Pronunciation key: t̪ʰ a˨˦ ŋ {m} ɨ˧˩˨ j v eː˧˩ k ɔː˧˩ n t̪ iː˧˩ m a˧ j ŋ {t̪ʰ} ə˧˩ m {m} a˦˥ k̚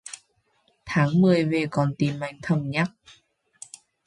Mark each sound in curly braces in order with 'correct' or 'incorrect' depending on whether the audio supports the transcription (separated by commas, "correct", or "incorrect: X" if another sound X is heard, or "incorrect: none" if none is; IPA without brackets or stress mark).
correct, correct, incorrect: ɲ